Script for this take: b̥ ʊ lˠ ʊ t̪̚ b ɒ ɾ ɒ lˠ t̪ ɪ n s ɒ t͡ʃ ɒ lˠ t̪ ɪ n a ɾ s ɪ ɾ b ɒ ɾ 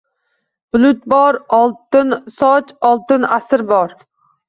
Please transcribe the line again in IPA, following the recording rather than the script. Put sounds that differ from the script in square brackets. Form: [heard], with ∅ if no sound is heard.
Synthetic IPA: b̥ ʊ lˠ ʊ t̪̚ b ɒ ɾ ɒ lˠ t̪ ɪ n s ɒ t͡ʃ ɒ lˠ t̪ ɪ n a [∅] s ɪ ɾ b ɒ ɾ